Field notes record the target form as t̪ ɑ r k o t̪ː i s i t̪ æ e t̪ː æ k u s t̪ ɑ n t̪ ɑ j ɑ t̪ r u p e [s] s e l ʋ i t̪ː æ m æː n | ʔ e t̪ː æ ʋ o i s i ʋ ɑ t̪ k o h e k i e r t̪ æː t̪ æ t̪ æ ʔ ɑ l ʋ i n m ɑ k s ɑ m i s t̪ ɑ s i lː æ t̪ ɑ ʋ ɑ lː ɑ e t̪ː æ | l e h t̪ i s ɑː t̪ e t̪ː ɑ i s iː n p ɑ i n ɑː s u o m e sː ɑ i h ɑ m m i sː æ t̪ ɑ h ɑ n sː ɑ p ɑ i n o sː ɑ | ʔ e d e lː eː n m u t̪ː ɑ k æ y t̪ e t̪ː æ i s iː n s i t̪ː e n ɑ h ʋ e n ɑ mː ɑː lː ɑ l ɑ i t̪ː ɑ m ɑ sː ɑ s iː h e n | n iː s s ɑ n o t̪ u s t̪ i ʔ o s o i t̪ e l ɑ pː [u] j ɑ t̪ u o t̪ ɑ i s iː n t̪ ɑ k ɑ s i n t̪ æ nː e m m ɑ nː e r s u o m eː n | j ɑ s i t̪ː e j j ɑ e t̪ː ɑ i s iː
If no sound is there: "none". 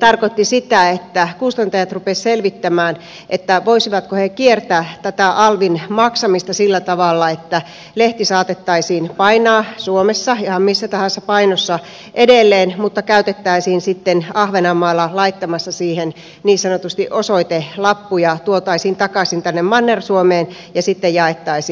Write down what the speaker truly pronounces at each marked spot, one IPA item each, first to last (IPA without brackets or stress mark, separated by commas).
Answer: s, u